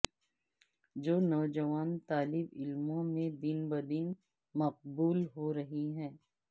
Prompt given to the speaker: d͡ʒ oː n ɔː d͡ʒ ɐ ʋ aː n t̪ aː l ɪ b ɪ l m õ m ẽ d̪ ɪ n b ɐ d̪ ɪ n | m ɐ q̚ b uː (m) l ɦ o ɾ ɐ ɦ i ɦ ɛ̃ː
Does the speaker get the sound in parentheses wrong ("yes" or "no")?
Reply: yes